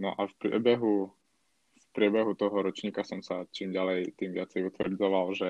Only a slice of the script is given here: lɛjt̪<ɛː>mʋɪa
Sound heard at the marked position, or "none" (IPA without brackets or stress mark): iː